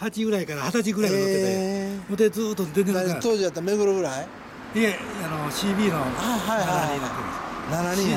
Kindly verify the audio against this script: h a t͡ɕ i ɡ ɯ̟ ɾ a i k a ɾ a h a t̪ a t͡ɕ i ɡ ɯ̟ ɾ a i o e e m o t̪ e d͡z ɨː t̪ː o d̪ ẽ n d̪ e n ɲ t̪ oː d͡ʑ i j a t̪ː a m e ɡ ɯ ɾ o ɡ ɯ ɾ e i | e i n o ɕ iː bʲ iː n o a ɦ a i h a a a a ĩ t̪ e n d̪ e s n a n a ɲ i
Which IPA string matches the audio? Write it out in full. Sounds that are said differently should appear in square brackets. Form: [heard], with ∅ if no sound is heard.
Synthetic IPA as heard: h a t͡ɕ i ɡ ɯ̟ ɾ a i k a ɾ a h a t̪ a t͡ɕ i ɡ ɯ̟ ɾ a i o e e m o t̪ e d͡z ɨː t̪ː o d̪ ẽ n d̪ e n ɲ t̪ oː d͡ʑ i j a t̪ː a m e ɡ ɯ ɾ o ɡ ɯ ɾ [a] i | e [a] n o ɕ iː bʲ iː n o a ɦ a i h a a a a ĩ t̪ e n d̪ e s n a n a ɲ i